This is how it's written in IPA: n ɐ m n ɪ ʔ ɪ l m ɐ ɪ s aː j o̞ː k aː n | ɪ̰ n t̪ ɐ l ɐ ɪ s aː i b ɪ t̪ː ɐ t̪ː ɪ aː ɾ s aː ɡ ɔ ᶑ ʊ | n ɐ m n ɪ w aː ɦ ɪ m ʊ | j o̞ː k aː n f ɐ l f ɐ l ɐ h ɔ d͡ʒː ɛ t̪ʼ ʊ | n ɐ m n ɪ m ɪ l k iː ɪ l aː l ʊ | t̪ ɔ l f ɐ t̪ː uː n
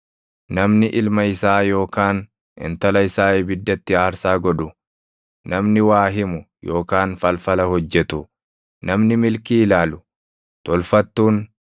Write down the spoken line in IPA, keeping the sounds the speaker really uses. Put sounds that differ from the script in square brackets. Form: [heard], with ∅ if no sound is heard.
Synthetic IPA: n ɐ m n ɪ ʔ ɪ l m ɐ ɪ s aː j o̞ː k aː n | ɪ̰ n t̪ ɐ l ɐ ɪ s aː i b ɪ [d̪ː] ɐ t̪ː ɪ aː ɾ s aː ɡ ɔ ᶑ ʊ | n ɐ m n ɪ w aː ɦ ɪ m ʊ | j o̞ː k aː n f ɐ l f ɐ l ɐ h ɔ d͡ʒː ɛ [t̪] ʊ | n ɐ m n ɪ m ɪ l k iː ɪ l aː l ʊ | t̪ ɔ l f ɐ t̪ː uː n

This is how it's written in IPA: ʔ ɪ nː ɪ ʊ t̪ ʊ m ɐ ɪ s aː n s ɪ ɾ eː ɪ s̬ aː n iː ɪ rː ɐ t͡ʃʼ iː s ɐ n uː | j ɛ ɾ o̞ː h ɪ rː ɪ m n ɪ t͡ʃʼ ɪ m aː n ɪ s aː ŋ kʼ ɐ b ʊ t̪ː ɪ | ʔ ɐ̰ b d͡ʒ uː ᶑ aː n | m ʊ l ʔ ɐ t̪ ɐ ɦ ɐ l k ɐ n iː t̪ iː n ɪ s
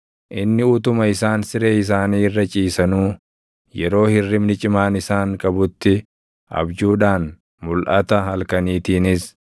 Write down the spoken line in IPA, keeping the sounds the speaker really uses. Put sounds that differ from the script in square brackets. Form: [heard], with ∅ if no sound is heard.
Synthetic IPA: ʔ ɪ nː ɪ ʊ t̪ ʊ m ɐ ɪ s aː n s ɪ ɾ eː ɪ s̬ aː n iː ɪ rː ɐ t͡ʃʼ iː s ɐ n uː | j ɛ ɾ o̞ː h ɪ rː ɪ m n ɪ t͡ʃʼ ɪ m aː n ɪ s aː ŋ kʼ ɐ b ʊ t̪ː ɪ | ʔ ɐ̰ b d͡ʒ uː ᶑ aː n | m ʊ l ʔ ɐ t̪ ɐ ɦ ɐ l k ɐ n iː t̪ iː n ɪ s

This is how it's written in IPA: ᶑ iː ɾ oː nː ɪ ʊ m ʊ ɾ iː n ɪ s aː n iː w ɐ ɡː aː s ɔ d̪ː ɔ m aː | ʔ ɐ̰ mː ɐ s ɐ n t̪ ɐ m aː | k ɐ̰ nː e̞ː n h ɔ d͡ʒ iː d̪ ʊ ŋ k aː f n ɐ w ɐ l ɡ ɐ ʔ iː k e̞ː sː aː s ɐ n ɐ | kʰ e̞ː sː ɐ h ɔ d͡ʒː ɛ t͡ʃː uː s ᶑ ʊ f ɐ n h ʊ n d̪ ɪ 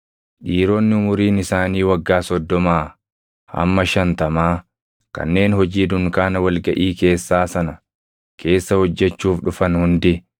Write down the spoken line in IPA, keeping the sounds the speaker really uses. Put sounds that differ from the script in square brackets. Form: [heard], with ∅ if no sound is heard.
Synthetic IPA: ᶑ iː ɾ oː nː ɪ ʊ m ʊ ɾ iː n ɪ s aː n iː w ɐ ɡː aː s ɔ d̪ː ɔ m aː | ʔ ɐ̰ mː ɐ [ʃ] ɐ n t̪ ɐ m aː | k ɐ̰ nː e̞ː n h ɔ d͡ʒ iː d̪ ʊ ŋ k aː [∅] n ɐ w ɐ l ɡ ɐ ʔ iː k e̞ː sː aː s ɐ n ɐ | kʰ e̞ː sː ɐ h ɔ d͡ʒː ɛ t͡ʃː uː [f] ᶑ ʊ f ɐ n h ʊ n d̪ ɪ

